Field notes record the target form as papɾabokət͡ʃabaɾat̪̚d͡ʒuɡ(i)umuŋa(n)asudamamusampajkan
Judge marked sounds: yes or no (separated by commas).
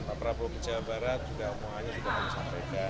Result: no, no